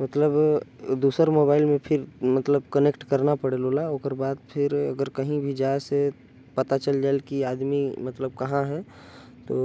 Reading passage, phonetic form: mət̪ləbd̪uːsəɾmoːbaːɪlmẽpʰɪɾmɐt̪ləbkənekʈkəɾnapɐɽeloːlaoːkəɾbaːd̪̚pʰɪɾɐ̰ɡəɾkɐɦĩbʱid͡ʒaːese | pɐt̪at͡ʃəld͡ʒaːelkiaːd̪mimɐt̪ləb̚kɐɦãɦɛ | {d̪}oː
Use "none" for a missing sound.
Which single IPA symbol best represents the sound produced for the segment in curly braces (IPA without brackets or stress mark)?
t̪